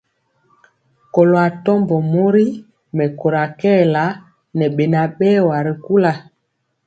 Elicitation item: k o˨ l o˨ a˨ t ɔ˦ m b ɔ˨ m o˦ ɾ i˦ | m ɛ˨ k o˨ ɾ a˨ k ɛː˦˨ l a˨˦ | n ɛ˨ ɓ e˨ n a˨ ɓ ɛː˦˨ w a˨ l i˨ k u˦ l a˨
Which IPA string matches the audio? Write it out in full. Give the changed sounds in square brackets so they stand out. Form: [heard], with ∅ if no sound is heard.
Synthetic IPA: k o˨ l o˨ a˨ t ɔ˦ m b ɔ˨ m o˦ ɾ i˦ | m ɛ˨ k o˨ ɾ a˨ k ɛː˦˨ l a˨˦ | n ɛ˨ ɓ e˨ n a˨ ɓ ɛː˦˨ w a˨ [ɾ] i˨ k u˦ l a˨